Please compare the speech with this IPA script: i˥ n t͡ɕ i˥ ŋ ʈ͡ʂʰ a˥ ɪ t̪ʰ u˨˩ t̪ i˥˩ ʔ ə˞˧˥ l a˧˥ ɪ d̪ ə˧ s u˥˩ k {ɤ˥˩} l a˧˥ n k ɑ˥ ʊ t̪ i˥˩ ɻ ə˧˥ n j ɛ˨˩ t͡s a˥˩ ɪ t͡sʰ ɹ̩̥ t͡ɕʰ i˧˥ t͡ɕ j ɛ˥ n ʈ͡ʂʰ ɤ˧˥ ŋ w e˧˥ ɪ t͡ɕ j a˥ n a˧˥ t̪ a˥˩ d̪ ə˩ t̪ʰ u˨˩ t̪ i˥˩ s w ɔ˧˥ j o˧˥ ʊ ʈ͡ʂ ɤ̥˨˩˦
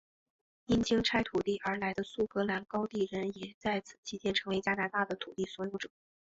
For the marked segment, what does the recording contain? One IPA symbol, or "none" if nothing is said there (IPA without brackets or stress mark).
ɤ˧˥